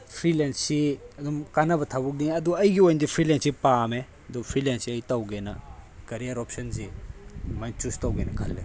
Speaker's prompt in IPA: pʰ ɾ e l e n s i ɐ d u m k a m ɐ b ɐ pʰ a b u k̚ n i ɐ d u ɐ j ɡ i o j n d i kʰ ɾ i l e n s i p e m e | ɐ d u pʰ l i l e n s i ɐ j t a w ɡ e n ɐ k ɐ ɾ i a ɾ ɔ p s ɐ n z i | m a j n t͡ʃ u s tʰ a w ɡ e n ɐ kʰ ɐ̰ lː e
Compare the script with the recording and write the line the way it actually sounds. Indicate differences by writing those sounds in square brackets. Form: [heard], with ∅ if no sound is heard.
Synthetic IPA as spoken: pʰ ɾ [i] l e n s i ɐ d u m k a [n] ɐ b ɐ [tʰ] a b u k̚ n i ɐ d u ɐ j ɡ i o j n d i [pʰ] ɾ i l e n s i p [a] m e | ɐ d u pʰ [ɾ] i l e n s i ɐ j t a w ɡ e n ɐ k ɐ ɾ i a ɾ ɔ p s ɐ n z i | m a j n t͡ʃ u s [t] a w ɡ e n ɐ kʰ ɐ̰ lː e

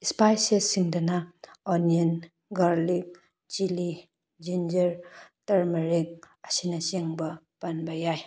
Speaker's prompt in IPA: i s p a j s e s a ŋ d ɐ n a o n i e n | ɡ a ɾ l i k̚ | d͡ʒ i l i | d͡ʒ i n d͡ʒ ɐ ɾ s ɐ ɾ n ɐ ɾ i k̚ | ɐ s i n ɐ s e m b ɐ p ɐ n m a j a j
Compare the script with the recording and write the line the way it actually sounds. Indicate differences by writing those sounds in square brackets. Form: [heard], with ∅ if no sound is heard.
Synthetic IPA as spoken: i s p a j s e s [i] ŋ d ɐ n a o n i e n | ɡ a ɾ l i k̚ | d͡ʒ i l i | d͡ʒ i n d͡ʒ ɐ ɾ [t] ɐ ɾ [m] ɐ ɾ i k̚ | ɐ s i n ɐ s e [ŋ] b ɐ p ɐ n [b] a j a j

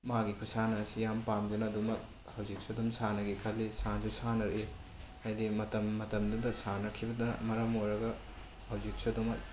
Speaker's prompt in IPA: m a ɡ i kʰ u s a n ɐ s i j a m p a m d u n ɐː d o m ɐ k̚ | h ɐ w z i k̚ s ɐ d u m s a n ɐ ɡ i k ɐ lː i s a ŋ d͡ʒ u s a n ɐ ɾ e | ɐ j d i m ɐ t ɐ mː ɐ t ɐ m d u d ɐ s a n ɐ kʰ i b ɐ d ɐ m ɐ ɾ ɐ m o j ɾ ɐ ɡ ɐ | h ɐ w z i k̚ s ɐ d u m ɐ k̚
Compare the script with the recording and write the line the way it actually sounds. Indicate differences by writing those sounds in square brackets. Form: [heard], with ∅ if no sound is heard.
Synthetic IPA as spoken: m a ɡ i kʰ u s a n ɐ s i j a m p a m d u n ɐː d [u] m ɐ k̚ | h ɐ w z i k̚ s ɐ d u m s a n ɐ ɡ i [kʰ] ɐ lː i s a [n] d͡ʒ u s a n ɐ ɾ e | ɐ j d i m ɐ t ɐ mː ɐ t ɐ m d u d ɐ s a n ɐ kʰ i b ɐ d ɐ m ɐ ɾ ɐ m o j ɾ ɐ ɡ ɐ | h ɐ w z i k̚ s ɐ d u m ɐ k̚

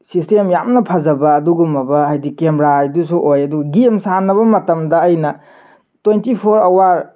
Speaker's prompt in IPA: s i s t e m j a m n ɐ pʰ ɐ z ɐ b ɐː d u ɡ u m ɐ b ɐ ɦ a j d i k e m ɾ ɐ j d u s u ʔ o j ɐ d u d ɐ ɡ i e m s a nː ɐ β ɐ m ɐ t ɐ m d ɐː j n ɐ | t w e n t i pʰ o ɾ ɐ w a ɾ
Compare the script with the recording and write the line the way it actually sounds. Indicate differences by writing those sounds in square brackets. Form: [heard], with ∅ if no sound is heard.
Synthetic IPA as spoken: s i s t e m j a m n ɐ pʰ ɐ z ɐ b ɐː d u ɡ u m ɐ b ɐ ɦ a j d i k e m ɾ [a] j d u s u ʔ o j ɐ d u [ɡ] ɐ ɡ i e m s a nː ɐ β ɐ m ɐ t ɐ m d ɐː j n ɐ | t w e n t i pʰ o ɾ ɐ w a ɾ

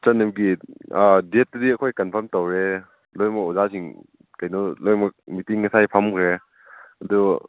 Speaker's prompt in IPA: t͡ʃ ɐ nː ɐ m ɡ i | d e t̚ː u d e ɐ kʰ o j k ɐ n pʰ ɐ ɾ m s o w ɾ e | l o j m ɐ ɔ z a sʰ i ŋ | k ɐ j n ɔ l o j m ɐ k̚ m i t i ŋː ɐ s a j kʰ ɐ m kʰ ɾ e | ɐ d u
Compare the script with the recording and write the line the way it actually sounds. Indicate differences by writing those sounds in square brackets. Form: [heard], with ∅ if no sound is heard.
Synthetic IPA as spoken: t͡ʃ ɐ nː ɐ m ɡ i | d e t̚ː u d [i] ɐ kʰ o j k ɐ n pʰ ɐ ɾ m [t] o w ɾ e | l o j m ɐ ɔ z a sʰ i ŋ | k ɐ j n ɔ l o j m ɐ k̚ m i t i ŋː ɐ s a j [pʰ] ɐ m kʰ ɾ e | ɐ d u

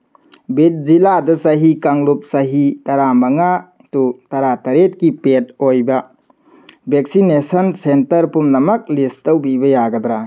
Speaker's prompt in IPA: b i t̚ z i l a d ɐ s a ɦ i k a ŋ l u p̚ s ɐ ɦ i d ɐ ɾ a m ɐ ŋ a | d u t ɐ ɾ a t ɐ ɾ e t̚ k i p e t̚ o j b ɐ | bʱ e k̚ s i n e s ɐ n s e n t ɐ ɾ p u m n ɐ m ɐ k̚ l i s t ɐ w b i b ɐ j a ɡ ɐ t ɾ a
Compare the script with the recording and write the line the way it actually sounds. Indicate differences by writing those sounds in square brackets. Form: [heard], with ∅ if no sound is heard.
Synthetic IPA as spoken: b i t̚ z i l a d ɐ s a ɦ i k a ŋ l u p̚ s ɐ ɦ i [t] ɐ ɾ a m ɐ ŋ a | [t] u t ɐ ɾ a t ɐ ɾ e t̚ k i p e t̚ o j b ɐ | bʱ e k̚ s i n e s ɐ n s e n t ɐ ɾ p u m n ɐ m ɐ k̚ l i s t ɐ w b i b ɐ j a ɡ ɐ [d] ɾ a

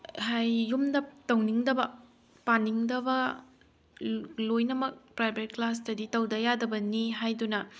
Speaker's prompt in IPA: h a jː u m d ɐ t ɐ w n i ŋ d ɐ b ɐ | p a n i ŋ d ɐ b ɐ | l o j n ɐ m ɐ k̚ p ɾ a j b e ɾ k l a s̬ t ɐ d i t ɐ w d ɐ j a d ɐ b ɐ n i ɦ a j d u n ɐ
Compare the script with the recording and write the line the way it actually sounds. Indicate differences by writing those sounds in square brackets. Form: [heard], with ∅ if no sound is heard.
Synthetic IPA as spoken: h a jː u m d ɐ t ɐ w n i ŋ d ɐ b ɐ | p a n i ŋ d ɐ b ɐ | l o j n ɐ m ɐ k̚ p ɾ a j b e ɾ k l a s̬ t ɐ d i t ɐ w d ɐ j a d ɐ b ɐ n i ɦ a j d u n ɐ

